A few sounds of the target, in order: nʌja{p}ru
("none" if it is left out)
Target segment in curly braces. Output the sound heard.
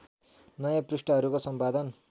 p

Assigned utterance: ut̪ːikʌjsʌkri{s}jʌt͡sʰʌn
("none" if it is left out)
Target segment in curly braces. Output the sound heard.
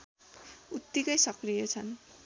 none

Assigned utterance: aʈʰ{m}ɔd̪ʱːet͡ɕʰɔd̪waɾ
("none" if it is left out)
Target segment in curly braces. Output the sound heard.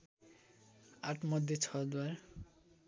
m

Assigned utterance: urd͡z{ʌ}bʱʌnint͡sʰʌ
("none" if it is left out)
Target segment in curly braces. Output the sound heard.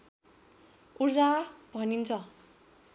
a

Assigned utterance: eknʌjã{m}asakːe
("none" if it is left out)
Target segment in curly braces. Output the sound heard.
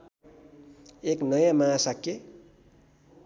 m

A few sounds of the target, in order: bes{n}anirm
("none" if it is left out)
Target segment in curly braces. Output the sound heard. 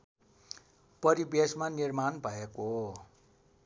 m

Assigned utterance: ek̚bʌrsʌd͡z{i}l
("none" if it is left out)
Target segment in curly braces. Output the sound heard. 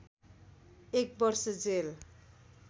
e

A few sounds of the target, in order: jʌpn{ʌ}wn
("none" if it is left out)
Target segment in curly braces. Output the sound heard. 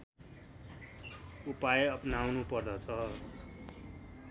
a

